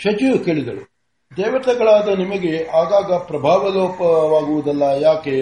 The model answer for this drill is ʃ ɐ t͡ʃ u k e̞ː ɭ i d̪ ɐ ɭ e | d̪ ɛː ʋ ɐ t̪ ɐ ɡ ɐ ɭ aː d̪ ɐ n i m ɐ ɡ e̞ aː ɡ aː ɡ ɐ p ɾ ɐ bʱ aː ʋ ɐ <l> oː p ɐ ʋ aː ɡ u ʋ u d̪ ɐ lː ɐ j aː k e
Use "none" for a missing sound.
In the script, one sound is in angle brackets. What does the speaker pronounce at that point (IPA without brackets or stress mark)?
l